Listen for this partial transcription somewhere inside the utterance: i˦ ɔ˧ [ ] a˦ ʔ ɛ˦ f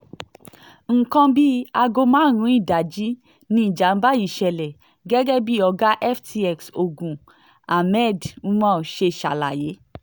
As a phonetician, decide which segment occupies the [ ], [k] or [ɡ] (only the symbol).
ɡ